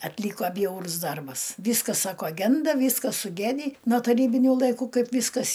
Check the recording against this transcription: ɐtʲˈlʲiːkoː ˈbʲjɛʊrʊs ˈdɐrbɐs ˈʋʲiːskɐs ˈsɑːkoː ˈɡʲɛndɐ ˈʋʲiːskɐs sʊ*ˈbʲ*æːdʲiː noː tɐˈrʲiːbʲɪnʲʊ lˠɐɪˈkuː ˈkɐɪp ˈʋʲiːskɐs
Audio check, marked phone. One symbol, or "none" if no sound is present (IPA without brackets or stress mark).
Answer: ɡʲ